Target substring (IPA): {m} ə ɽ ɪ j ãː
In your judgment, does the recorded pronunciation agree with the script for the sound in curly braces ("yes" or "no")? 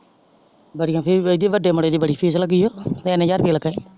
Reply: no